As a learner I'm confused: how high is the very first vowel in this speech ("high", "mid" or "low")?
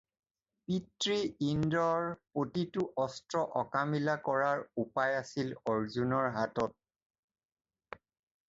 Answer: high